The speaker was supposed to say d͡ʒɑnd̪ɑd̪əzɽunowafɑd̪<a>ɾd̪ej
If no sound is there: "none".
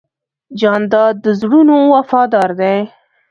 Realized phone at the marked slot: ɑ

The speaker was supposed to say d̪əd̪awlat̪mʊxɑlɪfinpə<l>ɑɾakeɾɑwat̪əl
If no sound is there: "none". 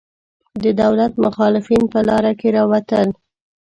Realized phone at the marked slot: l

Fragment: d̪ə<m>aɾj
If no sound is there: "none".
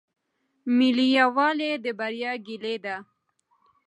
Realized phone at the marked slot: b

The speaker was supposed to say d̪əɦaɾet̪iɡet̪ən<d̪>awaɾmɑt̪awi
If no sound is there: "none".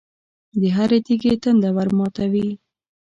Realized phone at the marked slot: d̪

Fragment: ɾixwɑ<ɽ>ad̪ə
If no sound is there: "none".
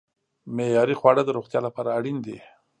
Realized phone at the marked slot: ɽ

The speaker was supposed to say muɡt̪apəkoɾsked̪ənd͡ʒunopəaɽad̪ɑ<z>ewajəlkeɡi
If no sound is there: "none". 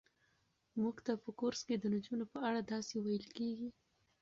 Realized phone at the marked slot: s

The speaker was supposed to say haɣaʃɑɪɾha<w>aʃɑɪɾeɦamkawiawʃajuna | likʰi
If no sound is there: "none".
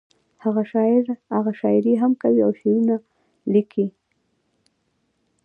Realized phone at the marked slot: ɣ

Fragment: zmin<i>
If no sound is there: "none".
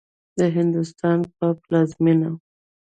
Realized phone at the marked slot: a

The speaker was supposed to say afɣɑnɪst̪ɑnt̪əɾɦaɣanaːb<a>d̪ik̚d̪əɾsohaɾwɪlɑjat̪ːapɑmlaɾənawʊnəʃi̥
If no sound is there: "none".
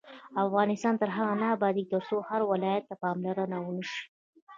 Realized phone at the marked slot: ɑ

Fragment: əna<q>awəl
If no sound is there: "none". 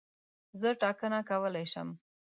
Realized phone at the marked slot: k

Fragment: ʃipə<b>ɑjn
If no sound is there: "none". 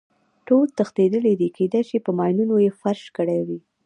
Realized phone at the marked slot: m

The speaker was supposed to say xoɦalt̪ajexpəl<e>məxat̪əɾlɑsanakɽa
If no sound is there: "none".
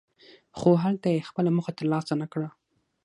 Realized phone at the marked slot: a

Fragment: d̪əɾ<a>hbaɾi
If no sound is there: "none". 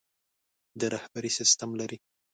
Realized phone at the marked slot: a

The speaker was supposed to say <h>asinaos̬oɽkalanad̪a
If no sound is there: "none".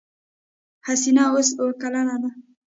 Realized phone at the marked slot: h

